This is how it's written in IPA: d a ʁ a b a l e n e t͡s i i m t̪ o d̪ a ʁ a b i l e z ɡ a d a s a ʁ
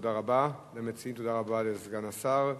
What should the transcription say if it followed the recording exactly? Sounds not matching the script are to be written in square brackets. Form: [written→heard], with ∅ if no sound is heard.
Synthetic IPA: d a ʁ a b a l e [n→m] e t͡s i i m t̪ o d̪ a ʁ a b [i→a] l e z ɡ a [d→n] a s a ʁ